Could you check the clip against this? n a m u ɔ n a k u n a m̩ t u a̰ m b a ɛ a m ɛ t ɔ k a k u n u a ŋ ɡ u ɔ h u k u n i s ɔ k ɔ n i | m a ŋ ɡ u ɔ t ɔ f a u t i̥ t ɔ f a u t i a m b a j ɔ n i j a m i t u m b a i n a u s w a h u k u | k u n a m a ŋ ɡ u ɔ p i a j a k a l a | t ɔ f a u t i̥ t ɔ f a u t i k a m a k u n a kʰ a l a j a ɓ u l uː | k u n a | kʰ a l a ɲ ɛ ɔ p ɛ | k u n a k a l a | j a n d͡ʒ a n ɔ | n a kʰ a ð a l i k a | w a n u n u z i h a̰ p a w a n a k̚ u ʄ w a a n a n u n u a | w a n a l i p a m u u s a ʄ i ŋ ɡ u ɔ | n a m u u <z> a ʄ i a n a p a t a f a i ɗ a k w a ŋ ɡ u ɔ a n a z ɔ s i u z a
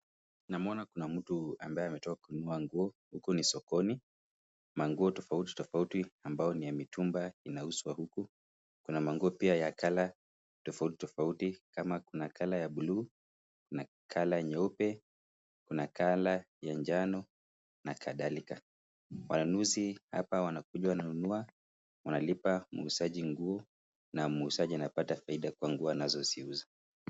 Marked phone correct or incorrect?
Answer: incorrect: s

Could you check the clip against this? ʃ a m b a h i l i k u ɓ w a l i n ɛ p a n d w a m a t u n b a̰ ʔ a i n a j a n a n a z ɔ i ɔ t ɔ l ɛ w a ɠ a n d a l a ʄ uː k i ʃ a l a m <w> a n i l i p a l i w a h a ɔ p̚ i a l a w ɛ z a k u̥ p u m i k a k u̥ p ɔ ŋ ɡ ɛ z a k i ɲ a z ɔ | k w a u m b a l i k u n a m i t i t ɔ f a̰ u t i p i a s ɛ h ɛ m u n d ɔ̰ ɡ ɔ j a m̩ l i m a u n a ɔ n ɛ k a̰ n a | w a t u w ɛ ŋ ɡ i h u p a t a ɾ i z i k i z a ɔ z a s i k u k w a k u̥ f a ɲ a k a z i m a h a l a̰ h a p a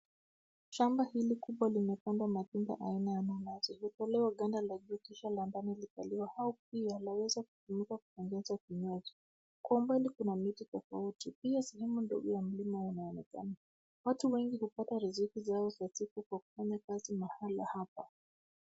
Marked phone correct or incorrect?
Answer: incorrect: b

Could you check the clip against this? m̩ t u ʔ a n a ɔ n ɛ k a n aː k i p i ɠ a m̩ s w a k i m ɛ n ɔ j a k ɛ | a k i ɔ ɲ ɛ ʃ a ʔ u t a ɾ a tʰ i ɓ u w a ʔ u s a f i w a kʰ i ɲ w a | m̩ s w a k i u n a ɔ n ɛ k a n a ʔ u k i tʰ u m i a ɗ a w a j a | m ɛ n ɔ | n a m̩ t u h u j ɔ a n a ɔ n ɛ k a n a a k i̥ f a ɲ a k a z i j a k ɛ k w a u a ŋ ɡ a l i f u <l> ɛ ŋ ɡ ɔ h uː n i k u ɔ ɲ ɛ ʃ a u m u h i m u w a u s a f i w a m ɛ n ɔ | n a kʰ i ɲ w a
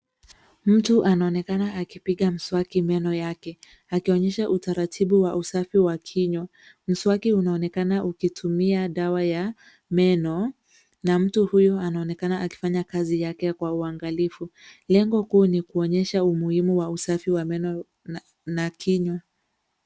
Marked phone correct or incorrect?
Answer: correct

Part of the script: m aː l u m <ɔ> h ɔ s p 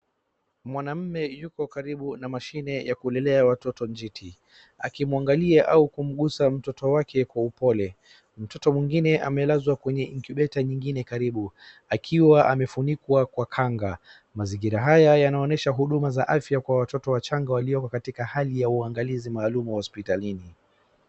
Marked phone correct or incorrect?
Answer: incorrect: u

